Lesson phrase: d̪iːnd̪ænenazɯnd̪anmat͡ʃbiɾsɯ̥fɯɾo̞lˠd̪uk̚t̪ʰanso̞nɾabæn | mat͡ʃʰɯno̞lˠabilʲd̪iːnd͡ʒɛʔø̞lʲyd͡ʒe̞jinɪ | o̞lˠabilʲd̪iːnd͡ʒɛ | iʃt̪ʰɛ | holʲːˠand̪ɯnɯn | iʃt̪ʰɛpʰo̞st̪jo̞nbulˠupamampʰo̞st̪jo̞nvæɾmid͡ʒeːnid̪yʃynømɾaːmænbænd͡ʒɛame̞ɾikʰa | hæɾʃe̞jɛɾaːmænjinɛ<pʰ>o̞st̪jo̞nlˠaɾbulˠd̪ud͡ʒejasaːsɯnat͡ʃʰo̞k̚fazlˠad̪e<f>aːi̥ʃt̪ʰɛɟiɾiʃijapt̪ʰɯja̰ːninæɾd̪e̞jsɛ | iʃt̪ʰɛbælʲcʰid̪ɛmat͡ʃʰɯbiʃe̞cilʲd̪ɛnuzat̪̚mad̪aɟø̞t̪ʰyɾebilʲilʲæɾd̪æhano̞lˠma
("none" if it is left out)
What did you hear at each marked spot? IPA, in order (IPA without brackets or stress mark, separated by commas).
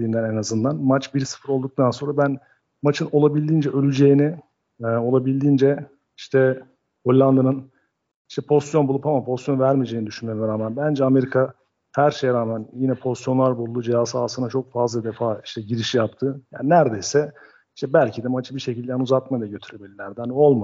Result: pʰ, f